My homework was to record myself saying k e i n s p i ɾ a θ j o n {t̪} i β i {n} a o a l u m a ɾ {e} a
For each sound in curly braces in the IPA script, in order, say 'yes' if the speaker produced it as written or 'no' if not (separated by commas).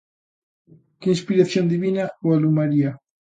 no, yes, no